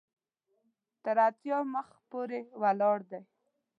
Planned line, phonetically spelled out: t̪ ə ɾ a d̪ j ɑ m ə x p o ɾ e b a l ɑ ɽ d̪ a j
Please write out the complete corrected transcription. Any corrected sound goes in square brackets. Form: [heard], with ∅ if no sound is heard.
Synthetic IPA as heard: t̪ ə ɾ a [t̪] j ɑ m ə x p o ɾ e [w] a l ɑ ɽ d̪ a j